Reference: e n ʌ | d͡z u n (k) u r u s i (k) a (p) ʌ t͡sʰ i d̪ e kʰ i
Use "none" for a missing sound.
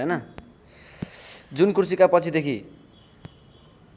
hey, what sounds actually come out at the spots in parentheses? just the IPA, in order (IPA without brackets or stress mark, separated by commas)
k, k, p